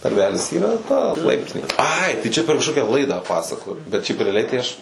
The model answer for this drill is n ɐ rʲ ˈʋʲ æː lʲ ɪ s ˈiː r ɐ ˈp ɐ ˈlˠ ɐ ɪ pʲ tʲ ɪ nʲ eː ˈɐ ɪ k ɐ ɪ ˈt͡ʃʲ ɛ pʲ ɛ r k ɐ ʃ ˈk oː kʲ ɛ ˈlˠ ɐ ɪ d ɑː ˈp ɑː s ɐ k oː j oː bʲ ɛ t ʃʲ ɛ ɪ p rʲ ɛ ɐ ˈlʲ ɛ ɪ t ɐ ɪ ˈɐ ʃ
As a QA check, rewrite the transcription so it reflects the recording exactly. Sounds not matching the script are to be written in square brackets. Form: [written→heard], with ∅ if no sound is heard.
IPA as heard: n ɐ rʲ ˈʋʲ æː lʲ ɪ s ˈiː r ɐ [ˈp→ˈt] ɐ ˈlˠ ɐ ɪ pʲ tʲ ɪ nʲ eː ˈɐ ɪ [k→t] ɐ ɪ ˈt͡ʃʲ ɛ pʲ ɛ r k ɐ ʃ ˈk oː kʲ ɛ ˈlˠ ɐ ɪ d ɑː ˈp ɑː s ɐ k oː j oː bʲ ɛ t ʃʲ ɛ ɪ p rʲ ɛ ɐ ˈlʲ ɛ ɪ t ɐ ɪ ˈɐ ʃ